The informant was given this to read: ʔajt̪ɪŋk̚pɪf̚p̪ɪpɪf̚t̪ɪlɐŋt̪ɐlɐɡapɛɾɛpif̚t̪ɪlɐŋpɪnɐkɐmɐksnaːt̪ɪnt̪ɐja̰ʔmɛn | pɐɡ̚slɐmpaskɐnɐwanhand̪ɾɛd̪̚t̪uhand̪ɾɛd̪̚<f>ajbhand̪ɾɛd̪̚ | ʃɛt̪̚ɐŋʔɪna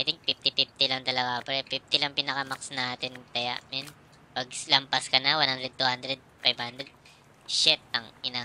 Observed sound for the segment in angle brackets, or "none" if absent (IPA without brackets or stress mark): f